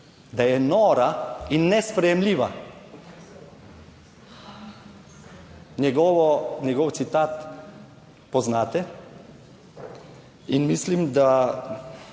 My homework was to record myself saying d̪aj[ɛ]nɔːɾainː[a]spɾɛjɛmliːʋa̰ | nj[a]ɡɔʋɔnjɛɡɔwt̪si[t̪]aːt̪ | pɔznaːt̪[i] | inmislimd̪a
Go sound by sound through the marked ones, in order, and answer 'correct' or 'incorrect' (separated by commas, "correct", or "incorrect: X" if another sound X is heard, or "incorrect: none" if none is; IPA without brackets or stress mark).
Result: correct, incorrect: ɛ, incorrect: ɛ, correct, incorrect: ɛ